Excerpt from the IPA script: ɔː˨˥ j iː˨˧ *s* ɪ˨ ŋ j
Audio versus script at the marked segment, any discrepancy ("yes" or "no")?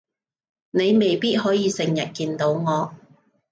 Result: no